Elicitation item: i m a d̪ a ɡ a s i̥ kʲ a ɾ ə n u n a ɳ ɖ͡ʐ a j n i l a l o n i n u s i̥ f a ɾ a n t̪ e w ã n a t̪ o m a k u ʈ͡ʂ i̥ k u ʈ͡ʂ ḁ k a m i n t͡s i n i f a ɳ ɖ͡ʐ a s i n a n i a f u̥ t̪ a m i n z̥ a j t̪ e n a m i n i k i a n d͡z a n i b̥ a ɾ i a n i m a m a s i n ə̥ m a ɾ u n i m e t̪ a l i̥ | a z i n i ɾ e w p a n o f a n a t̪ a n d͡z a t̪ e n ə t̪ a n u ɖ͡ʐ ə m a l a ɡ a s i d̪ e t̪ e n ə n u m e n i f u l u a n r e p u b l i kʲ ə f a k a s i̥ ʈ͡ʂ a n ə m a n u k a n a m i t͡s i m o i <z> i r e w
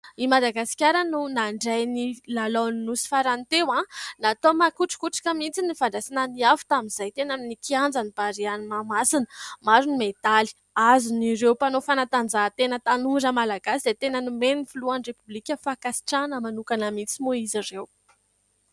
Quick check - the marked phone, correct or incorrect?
correct